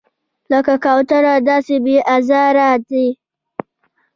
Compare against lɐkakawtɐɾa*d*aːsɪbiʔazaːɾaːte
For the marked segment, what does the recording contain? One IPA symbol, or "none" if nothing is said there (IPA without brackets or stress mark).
d